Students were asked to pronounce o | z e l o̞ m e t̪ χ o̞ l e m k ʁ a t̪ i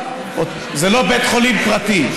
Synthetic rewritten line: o | z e l o̞ b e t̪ χ o̞ l i m p ʁ a t̪ i